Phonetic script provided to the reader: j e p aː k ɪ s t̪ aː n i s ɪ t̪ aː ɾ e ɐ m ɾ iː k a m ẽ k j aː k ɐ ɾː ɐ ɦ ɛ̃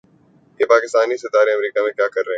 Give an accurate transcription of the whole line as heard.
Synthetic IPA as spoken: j e p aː k ɪ s t̪ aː n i s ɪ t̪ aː ɾ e ɐ m ɾ iː k a m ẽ k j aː k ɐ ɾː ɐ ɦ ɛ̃